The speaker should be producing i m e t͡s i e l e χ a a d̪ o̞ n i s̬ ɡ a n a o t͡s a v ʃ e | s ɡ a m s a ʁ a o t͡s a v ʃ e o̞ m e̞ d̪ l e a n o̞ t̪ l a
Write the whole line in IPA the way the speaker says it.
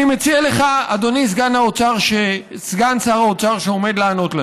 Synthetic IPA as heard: i m e t͡s i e l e χ a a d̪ o̞ n i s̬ ɡ a n a o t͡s a ʁ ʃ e | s ɡ a n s a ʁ a o t͡s a ʁ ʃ e o̞ m e̞ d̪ l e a n o̞ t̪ l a